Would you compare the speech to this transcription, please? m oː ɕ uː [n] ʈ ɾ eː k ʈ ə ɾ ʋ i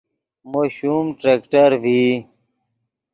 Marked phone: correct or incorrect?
incorrect